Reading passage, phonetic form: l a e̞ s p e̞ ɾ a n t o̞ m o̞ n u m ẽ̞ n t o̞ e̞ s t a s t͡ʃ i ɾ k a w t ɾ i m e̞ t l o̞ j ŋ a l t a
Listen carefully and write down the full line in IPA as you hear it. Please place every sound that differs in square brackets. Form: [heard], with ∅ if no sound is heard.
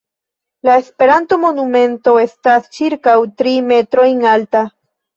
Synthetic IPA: l a e̞ s p e̞ ɾ a n t o̞ m o̞ n u m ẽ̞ n t o̞ e̞ s t a s t͡ʃ i ɾ k a w t ɾ i m e̞ t [ɾ] o̞ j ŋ a l t a